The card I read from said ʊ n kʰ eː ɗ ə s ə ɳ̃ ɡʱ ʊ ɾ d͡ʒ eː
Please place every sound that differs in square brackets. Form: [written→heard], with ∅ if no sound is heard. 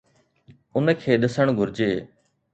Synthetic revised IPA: ʊ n kʰ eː ɗ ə s ə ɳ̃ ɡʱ ʊ ɾ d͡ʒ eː